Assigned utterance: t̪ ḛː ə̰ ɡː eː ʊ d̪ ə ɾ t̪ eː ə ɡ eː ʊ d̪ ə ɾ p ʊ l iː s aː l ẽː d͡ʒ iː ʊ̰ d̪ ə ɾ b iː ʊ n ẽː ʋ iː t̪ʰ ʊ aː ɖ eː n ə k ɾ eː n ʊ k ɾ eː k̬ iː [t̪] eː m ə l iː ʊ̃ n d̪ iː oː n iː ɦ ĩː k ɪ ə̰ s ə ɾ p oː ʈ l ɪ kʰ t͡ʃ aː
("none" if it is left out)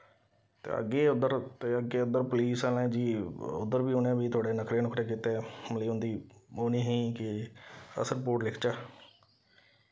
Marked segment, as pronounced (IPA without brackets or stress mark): t̪